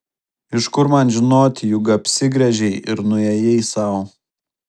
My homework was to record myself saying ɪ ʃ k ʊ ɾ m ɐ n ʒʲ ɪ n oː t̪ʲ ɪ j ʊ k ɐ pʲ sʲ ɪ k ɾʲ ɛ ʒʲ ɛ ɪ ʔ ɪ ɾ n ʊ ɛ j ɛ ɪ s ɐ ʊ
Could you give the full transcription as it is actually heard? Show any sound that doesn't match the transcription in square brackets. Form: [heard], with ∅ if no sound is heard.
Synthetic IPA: ɪ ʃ k ʊ ɾ m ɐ n ʒʲ ɪ n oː t̪ʲ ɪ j ʊ [ɡ] ɐ pʲ sʲ ɪ [ɡ] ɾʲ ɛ ʒʲ ɛ ɪ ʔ ɪ ɾ n ʊ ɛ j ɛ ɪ s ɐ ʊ

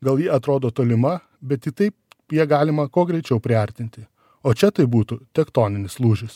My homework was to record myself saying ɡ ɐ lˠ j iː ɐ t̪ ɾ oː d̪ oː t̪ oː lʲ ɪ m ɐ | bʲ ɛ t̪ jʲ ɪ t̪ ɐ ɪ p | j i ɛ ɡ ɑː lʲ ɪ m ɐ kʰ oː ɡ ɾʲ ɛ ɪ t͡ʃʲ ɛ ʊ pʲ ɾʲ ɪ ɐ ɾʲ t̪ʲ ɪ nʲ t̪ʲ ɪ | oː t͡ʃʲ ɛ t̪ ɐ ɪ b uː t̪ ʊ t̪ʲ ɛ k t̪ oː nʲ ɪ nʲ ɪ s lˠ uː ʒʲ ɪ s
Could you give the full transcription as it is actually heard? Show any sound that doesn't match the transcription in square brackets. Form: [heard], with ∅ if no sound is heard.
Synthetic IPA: ɡ ɐ lˠ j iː ɐ t̪ ɾ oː d̪ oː t̪ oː lʲ ɪ m ɐ | bʲ ɛ t̪ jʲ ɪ t̪ ɐ ɪ p | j i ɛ ɡ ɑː lʲ ɪ m ɐ [k] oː ɡ ɾʲ ɛ ɪ t͡ʃʲ ɛ ʊ pʲ ɾʲ ɪ ɐ ɾʲ t̪ʲ ɪ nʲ t̪ʲ ɪ | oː t͡ʃʲ ɛ t̪ ɐ ɪ b uː t̪ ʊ t̪ʲ ɛ k t̪ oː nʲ ɪ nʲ ɪ s lˠ uː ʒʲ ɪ s

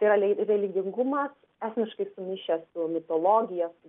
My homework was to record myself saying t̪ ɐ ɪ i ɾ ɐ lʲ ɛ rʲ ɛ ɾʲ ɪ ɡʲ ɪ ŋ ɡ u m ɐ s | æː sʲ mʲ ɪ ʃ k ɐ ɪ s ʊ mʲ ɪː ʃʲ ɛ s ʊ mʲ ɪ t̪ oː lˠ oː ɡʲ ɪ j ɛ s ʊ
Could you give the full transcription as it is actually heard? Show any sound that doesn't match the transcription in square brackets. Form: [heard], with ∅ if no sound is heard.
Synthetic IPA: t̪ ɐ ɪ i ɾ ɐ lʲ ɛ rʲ ɛ [lʲ] ɪ ɡʲ ɪ ŋ ɡ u m ɐ s | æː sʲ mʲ ɪ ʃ k ɐ ɪ s ʊ mʲ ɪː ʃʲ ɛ s ʊ mʲ ɪ t̪ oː lˠ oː ɡʲ ɪ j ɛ s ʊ

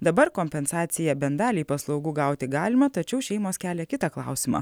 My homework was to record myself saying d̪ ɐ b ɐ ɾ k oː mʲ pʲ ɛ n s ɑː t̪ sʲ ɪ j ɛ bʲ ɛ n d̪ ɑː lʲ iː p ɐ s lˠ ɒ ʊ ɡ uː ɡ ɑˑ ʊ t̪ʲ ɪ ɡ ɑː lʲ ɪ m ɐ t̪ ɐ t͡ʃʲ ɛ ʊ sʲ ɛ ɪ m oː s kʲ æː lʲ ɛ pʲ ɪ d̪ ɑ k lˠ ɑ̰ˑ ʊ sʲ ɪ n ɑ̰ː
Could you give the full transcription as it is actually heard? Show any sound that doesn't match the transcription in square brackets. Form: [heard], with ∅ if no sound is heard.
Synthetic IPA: d̪ ɐ b ɐ ɾ k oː mʲ pʲ ɛ n s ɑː t̪ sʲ ɪ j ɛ bʲ ɛ n d̪ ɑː lʲ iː p ɐ s lˠ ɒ ʊ ɡ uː ɡ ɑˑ ʊ t̪ʲ ɪ ɡ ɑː lʲ ɪ m ɐ t̪ ɐ t͡ʃʲ ɛ ʊ [ʃʲ] ɛ ɪ m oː s kʲ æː lʲ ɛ [kʲ] ɪ [t̪] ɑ k lˠ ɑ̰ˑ ʊ sʲ ɪ [m] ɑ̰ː

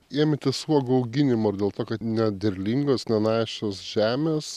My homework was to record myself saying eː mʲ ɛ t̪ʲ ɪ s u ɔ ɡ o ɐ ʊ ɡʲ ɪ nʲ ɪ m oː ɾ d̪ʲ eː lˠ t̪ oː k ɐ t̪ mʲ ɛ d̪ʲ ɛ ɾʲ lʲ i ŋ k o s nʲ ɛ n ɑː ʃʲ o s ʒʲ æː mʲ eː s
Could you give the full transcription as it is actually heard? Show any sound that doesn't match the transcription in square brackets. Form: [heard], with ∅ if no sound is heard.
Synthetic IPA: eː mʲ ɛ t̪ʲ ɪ s u ɔ ɡ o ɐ ʊ ɡʲ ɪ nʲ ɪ m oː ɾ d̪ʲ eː lˠ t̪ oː k ɐ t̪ [nʲ] ɛ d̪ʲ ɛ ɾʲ lʲ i ŋ [ɡ] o s nʲ ɛ n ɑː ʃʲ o s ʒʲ æː mʲ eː s

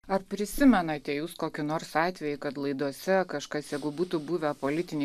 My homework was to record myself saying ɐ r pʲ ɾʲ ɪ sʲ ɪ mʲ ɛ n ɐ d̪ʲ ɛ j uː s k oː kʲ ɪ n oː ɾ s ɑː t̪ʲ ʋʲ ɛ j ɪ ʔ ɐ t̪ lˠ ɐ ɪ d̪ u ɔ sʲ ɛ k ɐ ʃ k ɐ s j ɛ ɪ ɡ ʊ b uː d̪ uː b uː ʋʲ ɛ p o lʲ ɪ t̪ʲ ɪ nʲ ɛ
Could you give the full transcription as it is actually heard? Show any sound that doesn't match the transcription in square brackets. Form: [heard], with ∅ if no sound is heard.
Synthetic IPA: ɐ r pʲ ɾʲ ɪ sʲ ɪ mʲ ɛ n ɐ [t̪ʲ] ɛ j uː s k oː kʲ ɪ n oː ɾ s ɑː t̪ʲ ʋʲ ɛ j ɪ [k] ɐ t̪ lˠ ɐ ɪ d̪ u ɔ sʲ ɛ k ɐ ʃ k ɐ s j ɛ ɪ ɡ ʊ b uː [t̪] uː b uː ʋʲ ɛ p o lʲ ɪ t̪ʲ ɪ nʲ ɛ

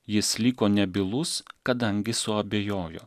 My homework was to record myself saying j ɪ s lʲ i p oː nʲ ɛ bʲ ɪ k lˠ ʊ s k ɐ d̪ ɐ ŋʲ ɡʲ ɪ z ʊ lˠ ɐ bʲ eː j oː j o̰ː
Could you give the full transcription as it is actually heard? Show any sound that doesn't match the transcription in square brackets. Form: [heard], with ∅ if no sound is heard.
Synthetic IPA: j ɪ s lʲ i [k] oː nʲ ɛ bʲ ɪ [∅] lˠ ʊ s k ɐ d̪ ɐ ŋʲ ɡʲ ɪ [s] ʊ [∅] ɐ bʲ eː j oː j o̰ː

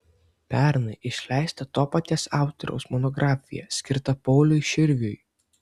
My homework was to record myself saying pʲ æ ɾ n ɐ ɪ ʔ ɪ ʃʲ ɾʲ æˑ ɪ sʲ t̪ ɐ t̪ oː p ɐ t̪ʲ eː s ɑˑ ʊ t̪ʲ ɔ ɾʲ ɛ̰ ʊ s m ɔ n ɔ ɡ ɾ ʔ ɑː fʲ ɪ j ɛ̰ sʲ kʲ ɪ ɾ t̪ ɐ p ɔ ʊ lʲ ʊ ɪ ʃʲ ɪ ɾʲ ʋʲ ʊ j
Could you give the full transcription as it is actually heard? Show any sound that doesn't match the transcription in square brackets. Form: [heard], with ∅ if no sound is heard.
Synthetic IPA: pʲ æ ɾ n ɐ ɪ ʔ ɪ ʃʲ [lʲ] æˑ ɪ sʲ t̪ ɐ t̪ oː p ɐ t̪ʲ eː s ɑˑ ʊ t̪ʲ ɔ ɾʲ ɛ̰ ʊ s m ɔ n ɔ ɡ ɾ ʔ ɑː fʲ ɪ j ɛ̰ sʲ kʲ ɪ ɾ t̪ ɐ p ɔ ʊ lʲ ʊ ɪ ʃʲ ɪ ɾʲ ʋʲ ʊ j

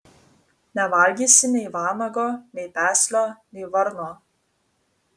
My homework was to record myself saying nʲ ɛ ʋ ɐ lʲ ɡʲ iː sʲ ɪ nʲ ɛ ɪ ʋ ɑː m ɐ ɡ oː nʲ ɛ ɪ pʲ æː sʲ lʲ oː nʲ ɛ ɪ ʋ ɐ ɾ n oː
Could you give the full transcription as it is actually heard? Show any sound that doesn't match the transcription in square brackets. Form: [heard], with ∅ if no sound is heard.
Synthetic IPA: nʲ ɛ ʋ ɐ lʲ ɡʲ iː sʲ ɪ nʲ ɛ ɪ ʋ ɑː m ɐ ɡ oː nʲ ɛ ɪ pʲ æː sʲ lʲ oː nʲ ɛ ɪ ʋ ɐ ɾ n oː

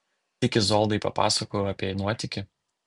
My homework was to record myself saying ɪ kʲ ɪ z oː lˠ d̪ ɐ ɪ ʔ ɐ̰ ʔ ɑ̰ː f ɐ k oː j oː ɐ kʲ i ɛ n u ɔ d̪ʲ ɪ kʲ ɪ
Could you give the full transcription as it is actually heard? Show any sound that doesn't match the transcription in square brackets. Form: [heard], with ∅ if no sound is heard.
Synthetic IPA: ɪ kʲ ɪ z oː lˠ d̪ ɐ ɪ [p] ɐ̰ [p] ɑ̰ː [s] ɐ k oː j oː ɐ [pʲ] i ɛ n u ɔ [t̪ʲ] ɪ kʲ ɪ

